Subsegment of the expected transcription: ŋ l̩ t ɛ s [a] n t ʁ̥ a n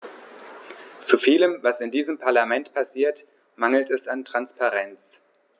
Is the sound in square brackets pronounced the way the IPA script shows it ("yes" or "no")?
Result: yes